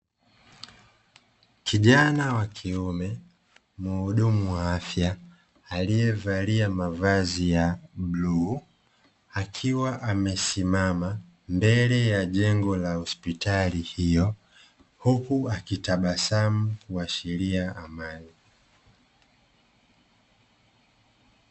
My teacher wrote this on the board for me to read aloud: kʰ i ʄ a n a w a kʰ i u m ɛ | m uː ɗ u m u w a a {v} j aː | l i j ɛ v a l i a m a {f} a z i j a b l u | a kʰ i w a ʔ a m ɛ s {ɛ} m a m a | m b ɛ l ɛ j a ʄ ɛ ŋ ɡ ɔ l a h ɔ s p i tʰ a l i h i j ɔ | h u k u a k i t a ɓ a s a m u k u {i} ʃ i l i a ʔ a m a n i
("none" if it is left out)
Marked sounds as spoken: f, v, i, a

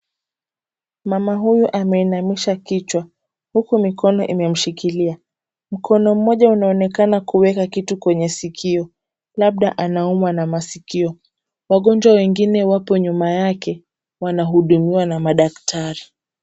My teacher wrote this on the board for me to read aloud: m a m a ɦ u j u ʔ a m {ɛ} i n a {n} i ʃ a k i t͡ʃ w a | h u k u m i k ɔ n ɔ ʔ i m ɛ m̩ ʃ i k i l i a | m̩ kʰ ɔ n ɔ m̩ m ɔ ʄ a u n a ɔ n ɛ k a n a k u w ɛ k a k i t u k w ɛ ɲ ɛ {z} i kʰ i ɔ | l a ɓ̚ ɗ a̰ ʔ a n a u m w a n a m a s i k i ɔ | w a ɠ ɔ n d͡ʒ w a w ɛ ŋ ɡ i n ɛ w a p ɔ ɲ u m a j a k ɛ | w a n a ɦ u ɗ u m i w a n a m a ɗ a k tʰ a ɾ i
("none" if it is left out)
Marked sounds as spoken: ɛ, m, s

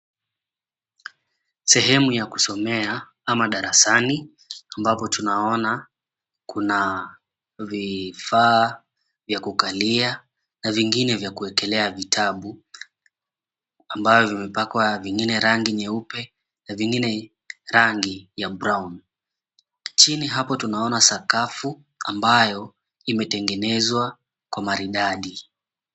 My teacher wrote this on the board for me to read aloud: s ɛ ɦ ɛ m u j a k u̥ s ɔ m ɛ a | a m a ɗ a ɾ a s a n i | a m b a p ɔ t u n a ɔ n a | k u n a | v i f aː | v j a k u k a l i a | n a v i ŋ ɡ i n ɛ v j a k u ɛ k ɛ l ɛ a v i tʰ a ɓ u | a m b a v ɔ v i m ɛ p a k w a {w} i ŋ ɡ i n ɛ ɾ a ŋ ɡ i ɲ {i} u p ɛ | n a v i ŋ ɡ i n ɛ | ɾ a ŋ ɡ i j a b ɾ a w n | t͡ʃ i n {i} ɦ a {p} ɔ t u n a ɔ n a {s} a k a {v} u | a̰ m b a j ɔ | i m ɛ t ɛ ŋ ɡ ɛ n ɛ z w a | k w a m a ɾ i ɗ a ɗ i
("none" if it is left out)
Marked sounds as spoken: v, ɛ, i, p, s, f

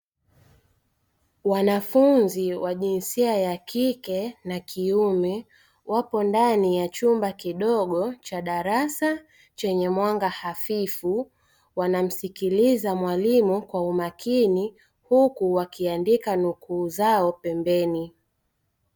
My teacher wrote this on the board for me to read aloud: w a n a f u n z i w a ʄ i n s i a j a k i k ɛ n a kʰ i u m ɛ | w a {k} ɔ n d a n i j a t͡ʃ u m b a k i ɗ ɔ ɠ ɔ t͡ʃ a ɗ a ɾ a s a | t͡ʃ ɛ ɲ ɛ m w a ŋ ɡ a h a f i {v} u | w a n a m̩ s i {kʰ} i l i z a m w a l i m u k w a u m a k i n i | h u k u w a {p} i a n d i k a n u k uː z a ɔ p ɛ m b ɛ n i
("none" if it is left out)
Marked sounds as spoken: p, f, k, k

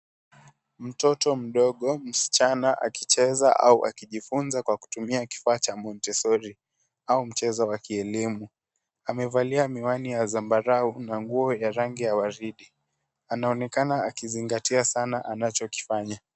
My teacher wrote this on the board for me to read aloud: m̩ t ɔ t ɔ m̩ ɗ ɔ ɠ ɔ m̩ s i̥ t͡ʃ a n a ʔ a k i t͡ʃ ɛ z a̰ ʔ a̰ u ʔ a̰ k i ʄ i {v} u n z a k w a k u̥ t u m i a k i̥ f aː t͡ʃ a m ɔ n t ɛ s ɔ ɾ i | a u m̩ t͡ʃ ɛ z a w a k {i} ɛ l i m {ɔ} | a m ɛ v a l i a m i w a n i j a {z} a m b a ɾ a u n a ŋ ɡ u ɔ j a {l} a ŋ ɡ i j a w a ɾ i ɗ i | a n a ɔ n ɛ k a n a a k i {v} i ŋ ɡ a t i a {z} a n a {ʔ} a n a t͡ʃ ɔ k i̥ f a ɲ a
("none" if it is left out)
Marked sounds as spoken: f, i, u, z, ɾ, z, s, ʔ

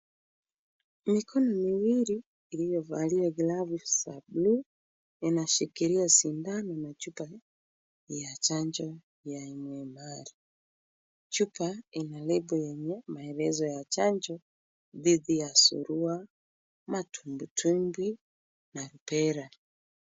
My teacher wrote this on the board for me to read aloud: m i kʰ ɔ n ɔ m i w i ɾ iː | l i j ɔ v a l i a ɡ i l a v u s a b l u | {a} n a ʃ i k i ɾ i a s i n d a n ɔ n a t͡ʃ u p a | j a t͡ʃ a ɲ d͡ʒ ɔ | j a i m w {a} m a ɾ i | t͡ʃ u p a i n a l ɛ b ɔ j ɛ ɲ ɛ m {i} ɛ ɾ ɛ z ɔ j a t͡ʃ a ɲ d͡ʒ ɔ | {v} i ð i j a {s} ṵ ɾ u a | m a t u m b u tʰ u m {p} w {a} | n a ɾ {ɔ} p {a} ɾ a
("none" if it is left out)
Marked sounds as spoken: i, ɛ, a, ð, s, b, i, u, ɛ

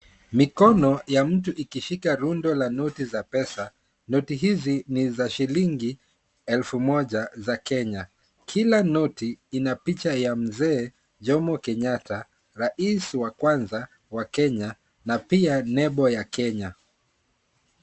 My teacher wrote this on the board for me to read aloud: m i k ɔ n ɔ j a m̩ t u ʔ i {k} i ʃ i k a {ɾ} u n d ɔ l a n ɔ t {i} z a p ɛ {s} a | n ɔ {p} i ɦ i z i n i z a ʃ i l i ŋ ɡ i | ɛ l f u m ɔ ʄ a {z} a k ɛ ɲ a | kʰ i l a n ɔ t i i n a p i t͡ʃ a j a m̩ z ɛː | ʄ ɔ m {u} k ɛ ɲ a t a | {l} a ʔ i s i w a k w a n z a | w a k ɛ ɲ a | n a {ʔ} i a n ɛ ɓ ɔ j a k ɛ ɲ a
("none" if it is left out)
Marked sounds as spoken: k, ɾ, i, s, t, z, ɔ, ɾ, p

